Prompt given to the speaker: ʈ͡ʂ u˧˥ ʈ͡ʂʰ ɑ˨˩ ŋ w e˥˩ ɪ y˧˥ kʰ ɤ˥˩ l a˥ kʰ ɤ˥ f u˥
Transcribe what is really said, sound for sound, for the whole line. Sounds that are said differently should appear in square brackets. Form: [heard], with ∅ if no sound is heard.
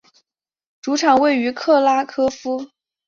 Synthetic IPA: ʈ͡ʂ u˧˥ ʈ͡ʂʰ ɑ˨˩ ŋ w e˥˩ ɪ y˧˥ kʰ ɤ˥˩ l a˥ kʰ ɤ˥ f u˥